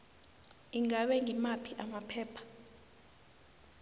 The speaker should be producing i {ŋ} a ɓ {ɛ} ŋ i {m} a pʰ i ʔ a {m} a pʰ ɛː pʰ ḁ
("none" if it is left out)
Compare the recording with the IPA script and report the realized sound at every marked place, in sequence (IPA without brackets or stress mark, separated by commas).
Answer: ŋ, ɛ, m, m